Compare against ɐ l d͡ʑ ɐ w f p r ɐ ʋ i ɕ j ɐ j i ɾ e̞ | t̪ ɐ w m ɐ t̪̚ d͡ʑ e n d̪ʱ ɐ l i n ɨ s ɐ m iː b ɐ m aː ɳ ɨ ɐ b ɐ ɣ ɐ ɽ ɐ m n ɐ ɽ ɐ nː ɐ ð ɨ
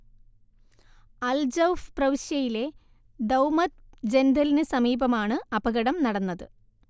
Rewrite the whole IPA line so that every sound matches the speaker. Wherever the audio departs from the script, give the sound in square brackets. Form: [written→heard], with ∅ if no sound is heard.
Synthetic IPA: ɐ l d͡ʑ ɐ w f p r ɐ ʋ i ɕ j ɐ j i [ɾ→l] e̞ | [t̪→d̪] ɐ w m ɐ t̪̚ d͡ʑ e n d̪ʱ ɐ l i n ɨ s ɐ m iː b ɐ m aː ɳ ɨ ɐ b ɐ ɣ ɐ ɽ ɐ m n ɐ ɽ ɐ nː ɐ ð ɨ